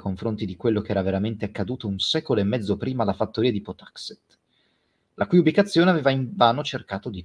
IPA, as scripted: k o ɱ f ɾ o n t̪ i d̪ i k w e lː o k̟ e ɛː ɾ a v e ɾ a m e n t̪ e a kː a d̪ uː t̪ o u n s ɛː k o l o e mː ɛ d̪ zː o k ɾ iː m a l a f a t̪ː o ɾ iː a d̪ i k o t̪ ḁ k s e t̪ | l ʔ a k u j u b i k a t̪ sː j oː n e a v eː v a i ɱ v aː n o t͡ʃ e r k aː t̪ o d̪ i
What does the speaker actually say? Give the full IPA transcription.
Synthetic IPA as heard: k o ɱ f ɾ o n t̪ i d̪ i k w e lː o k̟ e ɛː ɾ a v e ɾ a m e n t̪ e a kː a d̪ uː t̪ o u n s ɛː k o l o e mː ɛ d̪ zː o p ɾ iː m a l a f a t̪ː o ɾ iː a d̪ i p o t̪ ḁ k s e t̪ | l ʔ a k u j u b i k a t̪ sː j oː n e a v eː v a i ɱ v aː n o t͡ʃ e r k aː t̪ o d̪ i